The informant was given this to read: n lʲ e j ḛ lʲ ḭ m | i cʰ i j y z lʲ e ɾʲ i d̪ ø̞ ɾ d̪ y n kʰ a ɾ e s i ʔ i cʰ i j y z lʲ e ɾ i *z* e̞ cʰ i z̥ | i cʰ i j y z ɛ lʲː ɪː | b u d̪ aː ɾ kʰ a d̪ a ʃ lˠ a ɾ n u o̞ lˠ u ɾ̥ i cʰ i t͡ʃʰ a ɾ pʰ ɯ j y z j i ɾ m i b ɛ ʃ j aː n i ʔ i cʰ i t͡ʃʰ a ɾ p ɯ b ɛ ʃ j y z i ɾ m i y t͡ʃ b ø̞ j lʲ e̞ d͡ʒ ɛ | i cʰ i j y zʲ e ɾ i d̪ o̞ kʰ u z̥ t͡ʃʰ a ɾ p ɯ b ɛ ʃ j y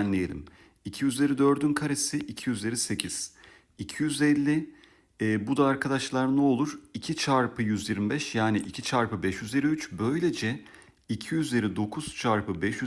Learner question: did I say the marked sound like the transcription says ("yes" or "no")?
no